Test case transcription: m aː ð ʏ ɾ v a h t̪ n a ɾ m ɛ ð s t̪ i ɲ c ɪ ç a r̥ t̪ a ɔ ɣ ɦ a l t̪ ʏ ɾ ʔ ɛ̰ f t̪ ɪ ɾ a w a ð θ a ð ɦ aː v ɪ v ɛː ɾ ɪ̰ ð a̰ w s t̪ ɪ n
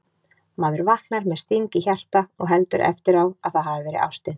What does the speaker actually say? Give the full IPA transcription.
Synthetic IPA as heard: m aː ð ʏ ɾ v a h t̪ n a ɾ m ɛ ð s t̪ i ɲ c ɪ ç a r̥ t̪ a ɔ ɣ ɦ ɛ l t̪ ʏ ɾ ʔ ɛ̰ f t̪ ɪ ɾ a w a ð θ a ð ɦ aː v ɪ v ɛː ɾ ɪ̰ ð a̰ w s t̪ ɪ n

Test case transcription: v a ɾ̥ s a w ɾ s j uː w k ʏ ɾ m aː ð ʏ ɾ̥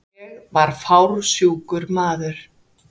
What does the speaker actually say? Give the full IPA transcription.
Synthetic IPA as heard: v a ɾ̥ f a w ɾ s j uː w k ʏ ɾ m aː ð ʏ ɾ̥

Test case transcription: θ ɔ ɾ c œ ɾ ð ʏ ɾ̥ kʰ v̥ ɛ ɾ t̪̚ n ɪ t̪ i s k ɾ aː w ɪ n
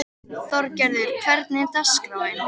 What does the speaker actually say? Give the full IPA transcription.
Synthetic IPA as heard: θ ɔ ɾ c ɛ ɾ ð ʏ ɾ̥ kʰ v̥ ɛ ɾ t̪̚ n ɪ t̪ a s k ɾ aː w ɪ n

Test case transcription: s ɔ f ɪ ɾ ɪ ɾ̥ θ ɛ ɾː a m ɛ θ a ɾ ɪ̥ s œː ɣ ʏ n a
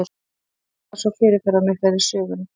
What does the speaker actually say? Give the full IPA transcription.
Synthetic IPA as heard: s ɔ f ɪ ɾ ɪ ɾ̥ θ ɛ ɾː a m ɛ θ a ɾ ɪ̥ s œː ɣ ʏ n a

